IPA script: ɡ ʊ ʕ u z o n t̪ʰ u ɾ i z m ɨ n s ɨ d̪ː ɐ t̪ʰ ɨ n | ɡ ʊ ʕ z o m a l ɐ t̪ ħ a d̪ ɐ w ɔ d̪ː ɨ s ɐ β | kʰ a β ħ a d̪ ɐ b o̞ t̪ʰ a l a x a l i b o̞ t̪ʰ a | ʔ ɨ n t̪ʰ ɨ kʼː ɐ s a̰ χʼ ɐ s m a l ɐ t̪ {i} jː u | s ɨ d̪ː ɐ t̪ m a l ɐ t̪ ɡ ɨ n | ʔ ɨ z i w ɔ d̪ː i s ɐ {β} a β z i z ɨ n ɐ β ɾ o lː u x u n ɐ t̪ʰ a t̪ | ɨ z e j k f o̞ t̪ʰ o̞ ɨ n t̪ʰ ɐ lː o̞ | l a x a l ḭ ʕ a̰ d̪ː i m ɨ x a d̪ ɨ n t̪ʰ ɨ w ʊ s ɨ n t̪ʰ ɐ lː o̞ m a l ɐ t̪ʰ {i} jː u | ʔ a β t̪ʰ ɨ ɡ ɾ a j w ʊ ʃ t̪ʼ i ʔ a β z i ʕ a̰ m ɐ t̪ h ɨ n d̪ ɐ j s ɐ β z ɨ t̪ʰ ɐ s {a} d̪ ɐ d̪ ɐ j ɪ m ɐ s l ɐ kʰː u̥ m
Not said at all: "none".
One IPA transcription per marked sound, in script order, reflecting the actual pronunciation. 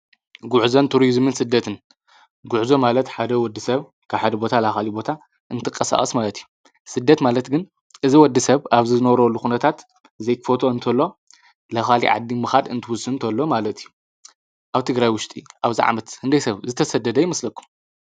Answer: i, β, i, ɐ

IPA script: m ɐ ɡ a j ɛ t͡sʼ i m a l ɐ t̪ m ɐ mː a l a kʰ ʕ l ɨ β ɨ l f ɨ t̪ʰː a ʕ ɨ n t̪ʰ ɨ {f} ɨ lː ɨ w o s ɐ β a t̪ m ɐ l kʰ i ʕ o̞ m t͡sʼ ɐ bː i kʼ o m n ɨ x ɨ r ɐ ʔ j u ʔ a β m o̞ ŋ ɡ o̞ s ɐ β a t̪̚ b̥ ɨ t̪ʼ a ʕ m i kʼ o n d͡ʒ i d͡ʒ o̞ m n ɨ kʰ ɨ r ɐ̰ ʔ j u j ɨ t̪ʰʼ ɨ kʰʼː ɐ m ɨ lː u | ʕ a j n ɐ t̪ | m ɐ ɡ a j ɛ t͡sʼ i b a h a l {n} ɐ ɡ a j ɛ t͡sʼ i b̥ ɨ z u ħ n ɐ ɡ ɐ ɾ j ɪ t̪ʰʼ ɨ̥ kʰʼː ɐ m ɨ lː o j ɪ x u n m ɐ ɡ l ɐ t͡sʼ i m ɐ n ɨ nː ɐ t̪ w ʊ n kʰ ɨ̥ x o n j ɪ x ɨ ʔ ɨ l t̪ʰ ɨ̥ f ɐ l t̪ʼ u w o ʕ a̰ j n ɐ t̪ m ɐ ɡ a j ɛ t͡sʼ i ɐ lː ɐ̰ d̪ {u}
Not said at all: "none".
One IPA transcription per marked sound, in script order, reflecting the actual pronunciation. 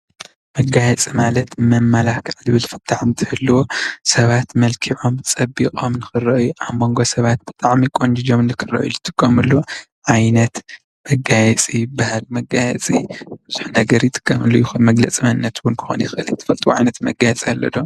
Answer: h, m, o

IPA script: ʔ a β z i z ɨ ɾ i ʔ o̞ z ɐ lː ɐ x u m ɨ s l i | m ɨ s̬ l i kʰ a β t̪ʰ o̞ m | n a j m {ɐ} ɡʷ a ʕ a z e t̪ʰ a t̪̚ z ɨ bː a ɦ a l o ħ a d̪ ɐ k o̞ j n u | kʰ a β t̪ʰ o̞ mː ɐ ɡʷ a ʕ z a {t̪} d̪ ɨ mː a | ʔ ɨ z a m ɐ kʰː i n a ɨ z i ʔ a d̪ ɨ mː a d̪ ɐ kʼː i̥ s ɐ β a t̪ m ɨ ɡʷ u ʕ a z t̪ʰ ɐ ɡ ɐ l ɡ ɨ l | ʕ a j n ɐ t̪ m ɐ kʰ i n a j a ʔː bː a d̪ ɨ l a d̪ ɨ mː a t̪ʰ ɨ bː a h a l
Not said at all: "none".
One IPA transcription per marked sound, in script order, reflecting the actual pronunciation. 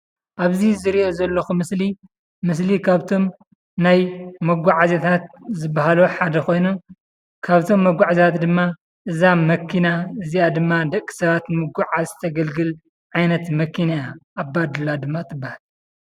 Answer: ɐ, t̪

